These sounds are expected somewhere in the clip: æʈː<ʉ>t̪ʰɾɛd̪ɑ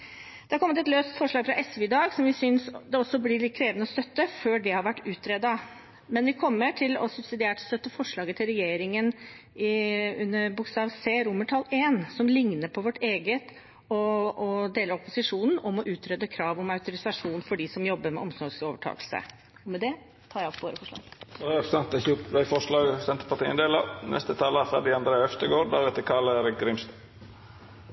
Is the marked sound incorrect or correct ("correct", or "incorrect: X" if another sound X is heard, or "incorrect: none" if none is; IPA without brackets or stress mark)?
incorrect: ʉː